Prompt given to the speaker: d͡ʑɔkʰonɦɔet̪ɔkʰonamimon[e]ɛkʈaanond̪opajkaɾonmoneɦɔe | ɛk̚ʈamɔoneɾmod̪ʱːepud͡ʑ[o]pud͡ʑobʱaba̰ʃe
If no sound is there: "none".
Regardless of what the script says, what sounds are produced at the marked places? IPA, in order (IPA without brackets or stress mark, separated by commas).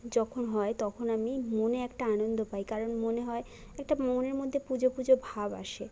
e, o